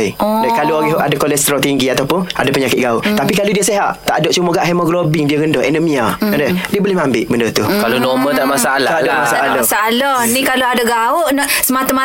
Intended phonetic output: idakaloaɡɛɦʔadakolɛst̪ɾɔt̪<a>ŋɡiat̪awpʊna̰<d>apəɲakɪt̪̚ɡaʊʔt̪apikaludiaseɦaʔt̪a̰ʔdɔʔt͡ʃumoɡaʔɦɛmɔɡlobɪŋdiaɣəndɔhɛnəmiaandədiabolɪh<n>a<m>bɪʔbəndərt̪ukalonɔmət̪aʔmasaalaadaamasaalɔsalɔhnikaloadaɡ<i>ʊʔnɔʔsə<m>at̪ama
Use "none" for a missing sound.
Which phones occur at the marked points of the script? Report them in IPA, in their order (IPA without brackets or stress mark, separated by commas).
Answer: i, d, m, m, a, m